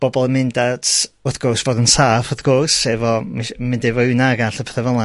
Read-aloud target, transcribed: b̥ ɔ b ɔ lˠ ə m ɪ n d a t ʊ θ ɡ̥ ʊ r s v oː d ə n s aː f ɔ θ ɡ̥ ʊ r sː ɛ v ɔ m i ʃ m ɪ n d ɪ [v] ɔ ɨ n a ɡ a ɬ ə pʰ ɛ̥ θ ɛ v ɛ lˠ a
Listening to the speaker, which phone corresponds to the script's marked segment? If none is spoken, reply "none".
v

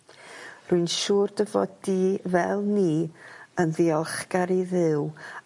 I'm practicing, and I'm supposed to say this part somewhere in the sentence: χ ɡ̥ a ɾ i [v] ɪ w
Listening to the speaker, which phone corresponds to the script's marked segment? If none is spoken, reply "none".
ð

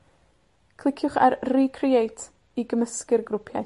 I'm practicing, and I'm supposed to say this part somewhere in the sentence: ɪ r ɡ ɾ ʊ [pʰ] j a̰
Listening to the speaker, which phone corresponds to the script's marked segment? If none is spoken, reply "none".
pʰ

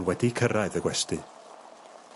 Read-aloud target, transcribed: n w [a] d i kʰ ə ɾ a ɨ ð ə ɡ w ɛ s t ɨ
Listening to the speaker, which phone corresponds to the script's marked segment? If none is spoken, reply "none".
ɛ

